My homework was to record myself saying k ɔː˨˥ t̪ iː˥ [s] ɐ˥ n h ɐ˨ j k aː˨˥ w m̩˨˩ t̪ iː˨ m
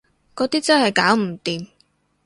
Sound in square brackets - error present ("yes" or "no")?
yes